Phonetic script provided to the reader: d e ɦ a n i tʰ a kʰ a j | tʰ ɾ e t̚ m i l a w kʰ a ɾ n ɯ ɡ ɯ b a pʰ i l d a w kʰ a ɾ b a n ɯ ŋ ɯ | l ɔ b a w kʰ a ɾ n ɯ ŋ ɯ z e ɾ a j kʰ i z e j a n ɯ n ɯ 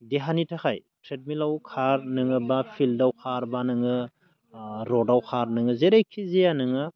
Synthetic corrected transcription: d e ɦ a n i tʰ a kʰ a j | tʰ ɾ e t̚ m i l a w kʰ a ɾ n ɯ ŋ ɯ b a pʰ i l d a w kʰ a ɾ b a n ɯ ŋ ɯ | ɾ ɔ d a w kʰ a ɾ n ɯ ŋ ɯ z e ɾ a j kʰ i z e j a n ɯ ŋ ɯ